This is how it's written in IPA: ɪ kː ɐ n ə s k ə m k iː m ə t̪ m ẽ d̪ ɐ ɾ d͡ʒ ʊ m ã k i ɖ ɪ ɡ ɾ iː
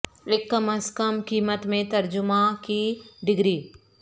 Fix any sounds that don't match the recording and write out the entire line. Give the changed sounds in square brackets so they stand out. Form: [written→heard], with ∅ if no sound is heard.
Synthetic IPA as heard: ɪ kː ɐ [n→m] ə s k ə m k iː m ə t̪ m ẽ [d̪→t̪] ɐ ɾ d͡ʒ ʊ m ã k i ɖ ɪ ɡ ɾ iː